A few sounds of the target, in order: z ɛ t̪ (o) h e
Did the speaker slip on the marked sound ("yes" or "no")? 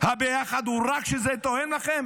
no